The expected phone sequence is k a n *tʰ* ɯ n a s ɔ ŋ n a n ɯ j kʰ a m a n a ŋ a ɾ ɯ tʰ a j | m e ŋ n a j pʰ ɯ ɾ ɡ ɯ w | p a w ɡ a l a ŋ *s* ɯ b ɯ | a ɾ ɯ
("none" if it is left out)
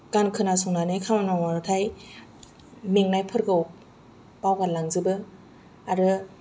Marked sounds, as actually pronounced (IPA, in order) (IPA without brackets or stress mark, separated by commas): kʰ, z